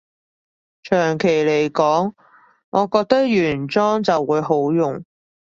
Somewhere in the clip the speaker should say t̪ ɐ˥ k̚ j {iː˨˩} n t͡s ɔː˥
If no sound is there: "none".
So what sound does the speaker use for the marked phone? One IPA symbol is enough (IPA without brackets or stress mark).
yː˨˩